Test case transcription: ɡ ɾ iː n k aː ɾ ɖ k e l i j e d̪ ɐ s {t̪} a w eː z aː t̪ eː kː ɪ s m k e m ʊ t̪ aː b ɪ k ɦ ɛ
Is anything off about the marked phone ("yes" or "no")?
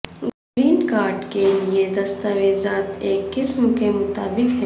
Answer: no